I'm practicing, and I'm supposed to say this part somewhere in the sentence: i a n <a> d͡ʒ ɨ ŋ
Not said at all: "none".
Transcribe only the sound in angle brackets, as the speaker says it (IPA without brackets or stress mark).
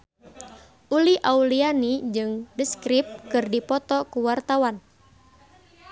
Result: i